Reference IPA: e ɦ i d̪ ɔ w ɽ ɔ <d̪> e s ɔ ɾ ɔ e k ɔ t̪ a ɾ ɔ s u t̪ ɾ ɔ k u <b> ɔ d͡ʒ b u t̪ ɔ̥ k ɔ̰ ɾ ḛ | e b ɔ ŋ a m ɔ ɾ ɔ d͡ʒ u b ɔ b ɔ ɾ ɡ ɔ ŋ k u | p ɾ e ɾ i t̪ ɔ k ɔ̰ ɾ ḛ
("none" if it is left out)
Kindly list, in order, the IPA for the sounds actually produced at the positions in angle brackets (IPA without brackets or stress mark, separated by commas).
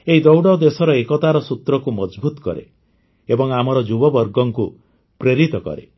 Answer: d̪, m